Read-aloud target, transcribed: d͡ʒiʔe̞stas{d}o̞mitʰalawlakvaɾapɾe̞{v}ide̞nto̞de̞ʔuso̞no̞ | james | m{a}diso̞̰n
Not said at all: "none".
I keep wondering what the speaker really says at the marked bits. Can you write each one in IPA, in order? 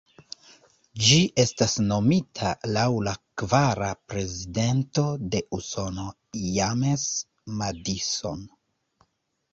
n, z, a

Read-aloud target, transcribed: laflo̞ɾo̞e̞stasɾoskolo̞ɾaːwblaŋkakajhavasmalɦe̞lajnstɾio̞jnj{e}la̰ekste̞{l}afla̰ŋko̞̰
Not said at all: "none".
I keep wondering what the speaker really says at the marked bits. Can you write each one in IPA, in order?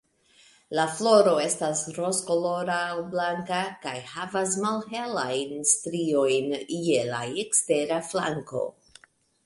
e, ɾ

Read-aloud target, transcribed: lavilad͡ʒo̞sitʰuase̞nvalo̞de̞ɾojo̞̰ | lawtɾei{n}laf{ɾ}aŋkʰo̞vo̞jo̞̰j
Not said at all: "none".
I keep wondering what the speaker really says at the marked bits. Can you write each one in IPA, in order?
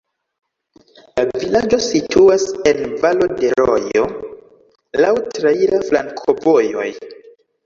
none, l

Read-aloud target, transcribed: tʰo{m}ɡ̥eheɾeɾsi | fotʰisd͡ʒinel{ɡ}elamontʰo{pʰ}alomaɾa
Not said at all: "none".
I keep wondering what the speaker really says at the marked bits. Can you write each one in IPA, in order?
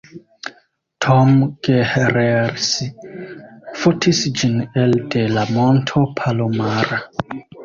m, d, pʰ

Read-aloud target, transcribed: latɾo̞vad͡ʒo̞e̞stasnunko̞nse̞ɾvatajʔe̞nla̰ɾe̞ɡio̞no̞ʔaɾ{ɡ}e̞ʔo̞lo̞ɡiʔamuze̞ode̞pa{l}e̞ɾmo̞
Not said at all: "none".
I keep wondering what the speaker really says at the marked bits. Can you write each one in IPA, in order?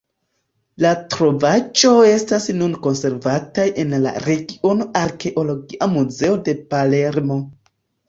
k, l

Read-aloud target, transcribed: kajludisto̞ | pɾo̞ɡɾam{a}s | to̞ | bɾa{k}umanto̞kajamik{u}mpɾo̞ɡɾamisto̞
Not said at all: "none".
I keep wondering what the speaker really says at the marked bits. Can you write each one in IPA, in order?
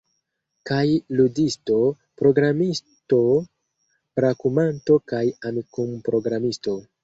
i, k, u

